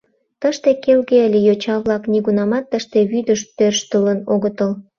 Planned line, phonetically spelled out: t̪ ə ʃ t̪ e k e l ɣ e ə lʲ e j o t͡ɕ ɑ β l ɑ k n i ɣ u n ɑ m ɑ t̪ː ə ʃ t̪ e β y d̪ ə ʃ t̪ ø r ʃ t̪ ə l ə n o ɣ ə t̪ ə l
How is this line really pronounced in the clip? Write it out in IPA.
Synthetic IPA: t̪ ə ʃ t̪ e k e l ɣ e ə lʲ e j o t͡ɕ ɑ β l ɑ k n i ɣ u n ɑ m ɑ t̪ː ə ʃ t̪ e β y d̪ ə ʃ t̪ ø r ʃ t̪ ə l ə n o ɣ ə t̪ ə l